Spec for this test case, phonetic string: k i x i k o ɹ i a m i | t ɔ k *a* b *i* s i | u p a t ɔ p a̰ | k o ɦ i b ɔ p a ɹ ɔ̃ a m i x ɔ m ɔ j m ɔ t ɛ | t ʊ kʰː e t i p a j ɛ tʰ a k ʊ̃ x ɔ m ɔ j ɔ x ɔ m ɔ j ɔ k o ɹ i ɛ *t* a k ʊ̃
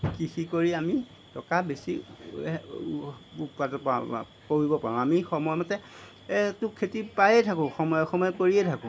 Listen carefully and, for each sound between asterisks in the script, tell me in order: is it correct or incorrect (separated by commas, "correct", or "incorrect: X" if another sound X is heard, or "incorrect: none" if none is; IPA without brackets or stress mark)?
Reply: correct, incorrect: e, incorrect: tʰ